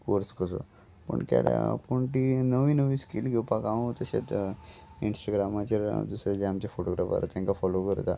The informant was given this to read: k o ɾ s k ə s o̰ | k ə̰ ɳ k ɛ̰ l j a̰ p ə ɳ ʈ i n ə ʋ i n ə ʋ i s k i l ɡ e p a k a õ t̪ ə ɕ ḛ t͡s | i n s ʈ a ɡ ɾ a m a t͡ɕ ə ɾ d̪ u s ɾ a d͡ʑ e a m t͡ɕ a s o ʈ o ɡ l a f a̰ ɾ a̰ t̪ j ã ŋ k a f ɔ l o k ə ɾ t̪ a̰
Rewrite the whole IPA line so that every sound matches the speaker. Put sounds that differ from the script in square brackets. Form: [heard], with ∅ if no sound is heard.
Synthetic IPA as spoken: k o ɾ s k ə s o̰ | [p] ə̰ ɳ k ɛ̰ l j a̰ p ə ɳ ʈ i n ə ʋ i n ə ʋ i s k i l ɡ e p a k a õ t̪ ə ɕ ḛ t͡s | i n s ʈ a ɡ ɾ a m a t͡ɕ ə ɾ d̪ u s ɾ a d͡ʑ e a m t͡ɕ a [f] o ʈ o ɡ [ɾ] a f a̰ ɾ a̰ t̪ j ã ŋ k a f ɔ l o k ə ɾ t̪ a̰